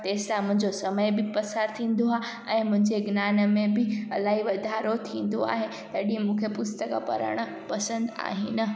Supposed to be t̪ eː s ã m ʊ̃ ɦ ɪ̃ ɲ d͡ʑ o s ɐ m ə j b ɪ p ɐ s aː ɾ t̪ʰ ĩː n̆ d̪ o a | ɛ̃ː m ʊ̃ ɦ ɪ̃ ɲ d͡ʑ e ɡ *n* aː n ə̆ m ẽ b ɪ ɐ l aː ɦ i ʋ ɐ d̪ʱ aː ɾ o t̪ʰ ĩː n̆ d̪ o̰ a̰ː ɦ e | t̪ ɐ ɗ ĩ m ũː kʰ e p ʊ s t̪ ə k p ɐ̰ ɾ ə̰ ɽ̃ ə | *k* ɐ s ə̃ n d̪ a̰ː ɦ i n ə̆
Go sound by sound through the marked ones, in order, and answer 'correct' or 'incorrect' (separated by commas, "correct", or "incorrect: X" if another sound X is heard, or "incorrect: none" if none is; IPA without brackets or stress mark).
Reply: correct, incorrect: p